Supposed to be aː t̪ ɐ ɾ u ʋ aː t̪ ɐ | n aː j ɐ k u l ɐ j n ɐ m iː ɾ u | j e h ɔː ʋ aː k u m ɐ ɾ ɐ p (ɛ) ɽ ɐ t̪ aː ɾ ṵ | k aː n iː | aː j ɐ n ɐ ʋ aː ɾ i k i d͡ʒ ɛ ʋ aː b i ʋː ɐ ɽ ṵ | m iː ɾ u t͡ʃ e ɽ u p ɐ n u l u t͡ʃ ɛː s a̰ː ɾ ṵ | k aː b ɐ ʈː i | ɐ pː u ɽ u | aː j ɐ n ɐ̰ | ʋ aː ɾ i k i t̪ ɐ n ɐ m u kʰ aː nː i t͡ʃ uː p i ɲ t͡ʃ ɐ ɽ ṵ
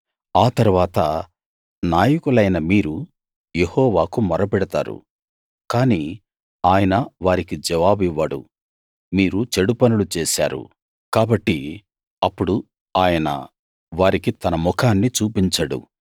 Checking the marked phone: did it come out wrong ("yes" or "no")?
no